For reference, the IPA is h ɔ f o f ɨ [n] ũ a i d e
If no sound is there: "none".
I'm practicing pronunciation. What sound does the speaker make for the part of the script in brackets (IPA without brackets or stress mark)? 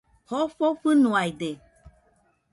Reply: n